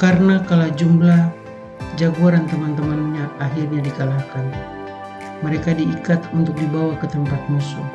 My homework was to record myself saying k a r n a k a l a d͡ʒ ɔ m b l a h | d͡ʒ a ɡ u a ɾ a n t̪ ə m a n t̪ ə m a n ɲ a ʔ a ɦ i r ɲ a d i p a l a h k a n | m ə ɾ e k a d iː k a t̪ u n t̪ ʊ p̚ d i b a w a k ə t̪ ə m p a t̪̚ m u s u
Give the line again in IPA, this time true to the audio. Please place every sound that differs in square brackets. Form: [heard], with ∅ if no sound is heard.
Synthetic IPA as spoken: k a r n a k a l a d͡ʒ [u] m b l a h | d͡ʒ a ɡ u a ɾ a n t̪ ə m a n t̪ ə m a n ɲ a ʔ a ɦ i r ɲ a d i [k] a l a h k a n | m ə ɾ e k a d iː k a t̪ u n t̪ ʊ [k̚] d i b a w a k ə t̪ ə m p a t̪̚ m u s u